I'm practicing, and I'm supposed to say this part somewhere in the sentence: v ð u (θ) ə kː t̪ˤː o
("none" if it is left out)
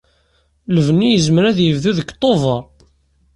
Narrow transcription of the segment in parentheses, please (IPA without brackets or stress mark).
ð